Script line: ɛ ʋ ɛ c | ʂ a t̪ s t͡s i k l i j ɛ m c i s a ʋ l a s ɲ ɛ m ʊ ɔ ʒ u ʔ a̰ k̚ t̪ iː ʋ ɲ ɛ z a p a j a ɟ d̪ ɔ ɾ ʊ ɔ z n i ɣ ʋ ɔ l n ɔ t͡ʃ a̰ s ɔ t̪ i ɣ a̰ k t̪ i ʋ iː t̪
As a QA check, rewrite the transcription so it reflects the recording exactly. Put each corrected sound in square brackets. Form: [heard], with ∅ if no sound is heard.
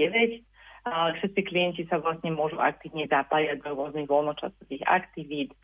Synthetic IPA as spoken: ɛ ʋ ɛ c | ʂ [ɛ] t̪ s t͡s i k l i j ɛ [n] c i s a ʋ l a s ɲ ɛ m ʊ ɔ ʒ u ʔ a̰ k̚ t̪ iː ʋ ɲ ɛ z a p a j a ɟ d̪ ɔ ɾ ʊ ɔ z n i ɣ ʋ ɔ l n ɔ t͡ʃ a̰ s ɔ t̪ i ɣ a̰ k t̪ i ʋ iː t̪